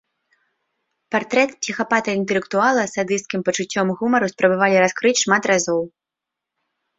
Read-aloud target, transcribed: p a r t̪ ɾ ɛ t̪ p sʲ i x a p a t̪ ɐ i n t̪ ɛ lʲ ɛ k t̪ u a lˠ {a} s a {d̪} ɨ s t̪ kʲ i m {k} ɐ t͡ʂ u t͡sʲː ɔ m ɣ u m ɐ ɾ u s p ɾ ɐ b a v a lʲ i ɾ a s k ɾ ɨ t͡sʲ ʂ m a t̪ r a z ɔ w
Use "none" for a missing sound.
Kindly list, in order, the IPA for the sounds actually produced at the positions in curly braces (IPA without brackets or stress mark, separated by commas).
ɐ, d̪, p